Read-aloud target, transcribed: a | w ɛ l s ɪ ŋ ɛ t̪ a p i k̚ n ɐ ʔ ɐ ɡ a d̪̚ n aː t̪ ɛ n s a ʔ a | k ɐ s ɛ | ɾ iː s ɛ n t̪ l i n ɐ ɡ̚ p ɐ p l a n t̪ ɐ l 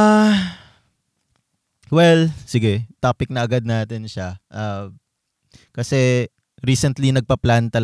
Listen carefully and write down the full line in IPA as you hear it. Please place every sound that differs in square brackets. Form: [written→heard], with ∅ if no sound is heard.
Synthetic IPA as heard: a | w ɛ l s ɪ [ŋ→ɡ] ɛ t̪ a p [i→ɪ] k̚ n ɐ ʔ ɐ ɡ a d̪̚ n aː t̪ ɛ n [s→ʃ] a ʔ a | k ɐ s ɛ | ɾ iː s ɛ n t̪ l i n ɐ ɡ̚ p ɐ p l a n t̪ ɐ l